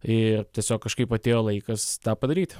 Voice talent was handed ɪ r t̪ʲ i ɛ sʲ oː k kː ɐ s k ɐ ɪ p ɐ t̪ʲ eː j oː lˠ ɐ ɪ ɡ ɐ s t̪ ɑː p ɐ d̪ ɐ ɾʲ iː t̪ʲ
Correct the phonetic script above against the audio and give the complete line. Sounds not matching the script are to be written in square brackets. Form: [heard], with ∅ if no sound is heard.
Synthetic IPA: ɪ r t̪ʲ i ɛ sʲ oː k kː ɐ [ʃ] k ɐ ɪ p ɐ t̪ʲ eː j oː lˠ ɐ ɪ [k] ɐ s t̪ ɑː p ɐ d̪ ɐ ɾʲ iː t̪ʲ